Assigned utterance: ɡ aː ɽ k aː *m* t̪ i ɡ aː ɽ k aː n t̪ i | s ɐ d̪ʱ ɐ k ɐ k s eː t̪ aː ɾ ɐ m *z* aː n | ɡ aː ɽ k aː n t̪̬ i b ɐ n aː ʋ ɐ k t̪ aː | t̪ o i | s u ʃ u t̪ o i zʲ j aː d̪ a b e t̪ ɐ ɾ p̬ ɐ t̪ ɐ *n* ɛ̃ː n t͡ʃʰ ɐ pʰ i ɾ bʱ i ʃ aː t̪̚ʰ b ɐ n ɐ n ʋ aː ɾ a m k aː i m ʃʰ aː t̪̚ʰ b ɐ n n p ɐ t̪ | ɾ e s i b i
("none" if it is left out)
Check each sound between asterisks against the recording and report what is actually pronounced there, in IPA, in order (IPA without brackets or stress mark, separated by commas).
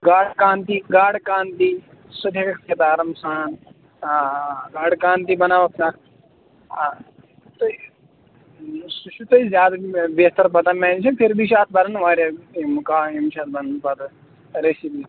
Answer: n, s, m